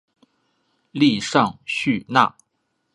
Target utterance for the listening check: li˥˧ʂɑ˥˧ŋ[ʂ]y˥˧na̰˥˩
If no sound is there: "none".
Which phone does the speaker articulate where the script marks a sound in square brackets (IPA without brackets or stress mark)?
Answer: ɕ